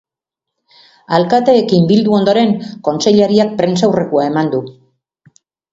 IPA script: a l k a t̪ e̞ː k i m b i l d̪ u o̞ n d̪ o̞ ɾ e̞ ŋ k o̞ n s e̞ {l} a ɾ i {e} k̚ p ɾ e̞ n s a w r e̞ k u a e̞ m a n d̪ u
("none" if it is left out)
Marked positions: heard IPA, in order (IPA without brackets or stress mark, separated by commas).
ʎ, a